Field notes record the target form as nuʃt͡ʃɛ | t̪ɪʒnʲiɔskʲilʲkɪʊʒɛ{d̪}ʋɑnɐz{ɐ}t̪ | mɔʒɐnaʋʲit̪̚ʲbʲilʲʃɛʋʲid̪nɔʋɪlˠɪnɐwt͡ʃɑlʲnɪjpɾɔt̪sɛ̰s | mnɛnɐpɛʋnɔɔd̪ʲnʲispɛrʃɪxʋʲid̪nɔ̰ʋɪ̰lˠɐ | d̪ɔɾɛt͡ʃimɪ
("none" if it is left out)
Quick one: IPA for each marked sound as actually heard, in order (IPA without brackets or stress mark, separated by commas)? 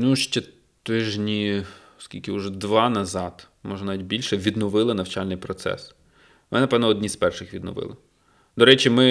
d̪, ɑ